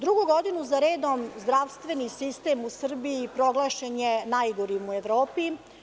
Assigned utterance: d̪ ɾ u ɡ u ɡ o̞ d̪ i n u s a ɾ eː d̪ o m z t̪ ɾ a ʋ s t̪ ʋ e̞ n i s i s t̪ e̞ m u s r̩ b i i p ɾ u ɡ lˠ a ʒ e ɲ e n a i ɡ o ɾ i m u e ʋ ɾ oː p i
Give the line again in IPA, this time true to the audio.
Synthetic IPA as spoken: d̪ ɾ u ɡ u ɡ o̞ d̪ i n u z a ɾ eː d̪ o m z d̪ ɾ a ʋ s t̪ ʋ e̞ n i s i s t̪ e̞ m u s r̩ b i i p ɾ o ɡ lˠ a ʃ e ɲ e n a j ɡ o ɾ i m u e ʋ ɾ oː p i